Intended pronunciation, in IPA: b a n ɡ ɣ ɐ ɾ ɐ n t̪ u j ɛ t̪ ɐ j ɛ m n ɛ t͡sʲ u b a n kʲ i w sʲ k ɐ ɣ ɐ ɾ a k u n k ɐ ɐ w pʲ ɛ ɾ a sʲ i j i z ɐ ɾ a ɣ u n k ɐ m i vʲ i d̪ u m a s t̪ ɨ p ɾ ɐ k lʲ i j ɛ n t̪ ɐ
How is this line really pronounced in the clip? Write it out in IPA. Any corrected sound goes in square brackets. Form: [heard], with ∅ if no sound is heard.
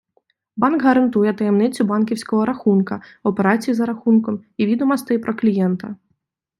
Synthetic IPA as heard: b a n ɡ ɣ ɐ ɾ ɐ n t̪ u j ɛ t̪ ɐ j ɛ m n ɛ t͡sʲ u b a n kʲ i w sʲ k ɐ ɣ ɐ ɾ a [x] u n k ɐ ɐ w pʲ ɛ ɾ a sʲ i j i z ɐ ɾ a [x] u n k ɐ m i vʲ i d̪ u m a s t̪ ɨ p ɾ ɐ k lʲ i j ɛ n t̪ ɐ